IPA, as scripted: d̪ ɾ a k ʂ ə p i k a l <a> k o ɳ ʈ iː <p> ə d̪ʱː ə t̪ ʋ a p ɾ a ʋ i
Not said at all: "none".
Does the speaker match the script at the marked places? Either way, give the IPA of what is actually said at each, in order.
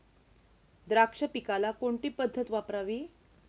a, p

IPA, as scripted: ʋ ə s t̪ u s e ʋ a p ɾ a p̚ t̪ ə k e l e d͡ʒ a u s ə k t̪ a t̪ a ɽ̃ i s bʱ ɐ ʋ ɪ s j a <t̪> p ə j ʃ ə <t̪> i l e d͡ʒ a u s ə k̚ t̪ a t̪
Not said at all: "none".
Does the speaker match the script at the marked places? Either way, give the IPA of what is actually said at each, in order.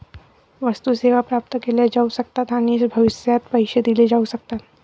t̪, d̪

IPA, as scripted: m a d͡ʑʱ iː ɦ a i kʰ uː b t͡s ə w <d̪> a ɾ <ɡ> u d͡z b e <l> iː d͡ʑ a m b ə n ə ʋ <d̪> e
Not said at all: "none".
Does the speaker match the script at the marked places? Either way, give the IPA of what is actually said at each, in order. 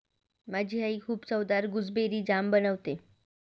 d̪, ɡ, ɾ, t̪

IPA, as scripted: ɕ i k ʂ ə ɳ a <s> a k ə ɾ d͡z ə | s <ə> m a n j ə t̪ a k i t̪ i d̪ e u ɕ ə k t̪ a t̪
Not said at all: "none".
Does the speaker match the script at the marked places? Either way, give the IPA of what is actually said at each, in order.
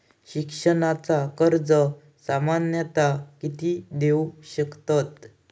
t͡s, a

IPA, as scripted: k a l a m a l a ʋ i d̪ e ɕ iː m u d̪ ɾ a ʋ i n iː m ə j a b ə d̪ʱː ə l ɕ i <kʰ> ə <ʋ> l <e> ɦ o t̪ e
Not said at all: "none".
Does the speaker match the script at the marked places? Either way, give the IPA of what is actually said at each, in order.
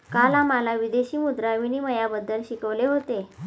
k, ʋ, e

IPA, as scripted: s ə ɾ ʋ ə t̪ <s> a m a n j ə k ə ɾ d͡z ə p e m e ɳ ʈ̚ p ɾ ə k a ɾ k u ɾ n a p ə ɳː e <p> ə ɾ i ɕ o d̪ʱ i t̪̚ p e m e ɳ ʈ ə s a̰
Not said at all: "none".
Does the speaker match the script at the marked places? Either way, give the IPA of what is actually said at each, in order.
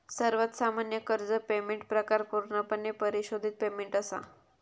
s, p

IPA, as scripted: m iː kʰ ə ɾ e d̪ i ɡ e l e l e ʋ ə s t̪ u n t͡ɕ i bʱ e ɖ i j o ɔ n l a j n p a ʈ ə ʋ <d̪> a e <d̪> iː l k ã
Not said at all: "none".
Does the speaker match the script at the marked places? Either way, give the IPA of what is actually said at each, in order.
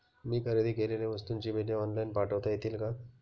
t̪, t̪

